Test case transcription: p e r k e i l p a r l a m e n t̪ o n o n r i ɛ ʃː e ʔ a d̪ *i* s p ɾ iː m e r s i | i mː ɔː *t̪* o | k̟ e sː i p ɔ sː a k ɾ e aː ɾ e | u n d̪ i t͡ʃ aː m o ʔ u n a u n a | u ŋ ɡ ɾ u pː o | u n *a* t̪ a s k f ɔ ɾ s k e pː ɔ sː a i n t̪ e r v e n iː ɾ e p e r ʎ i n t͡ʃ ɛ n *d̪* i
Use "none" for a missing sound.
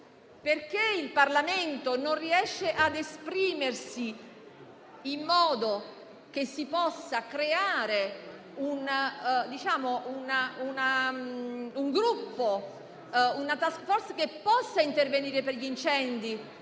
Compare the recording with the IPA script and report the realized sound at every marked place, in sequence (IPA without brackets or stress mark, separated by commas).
e, d̪, a, d̪